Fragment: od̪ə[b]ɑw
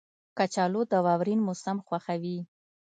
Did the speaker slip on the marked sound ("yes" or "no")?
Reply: yes